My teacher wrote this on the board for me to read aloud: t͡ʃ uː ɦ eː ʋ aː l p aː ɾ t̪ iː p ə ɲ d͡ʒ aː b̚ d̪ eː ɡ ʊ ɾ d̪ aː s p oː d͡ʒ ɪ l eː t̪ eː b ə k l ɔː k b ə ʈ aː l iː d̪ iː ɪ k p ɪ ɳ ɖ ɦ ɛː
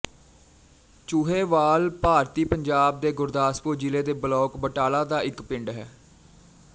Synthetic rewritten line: t͡ʃ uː ɦ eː ʋ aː l p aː ɾ t̪ iː p ə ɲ d͡ʒ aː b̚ d̪ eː ɡ ʊ ɾ d̪ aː s p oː d͡ʒ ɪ l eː d̪ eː b ə l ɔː k b ə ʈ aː l aː d̪ aː ɪ k p ɪ ɳ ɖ ɦ ɛː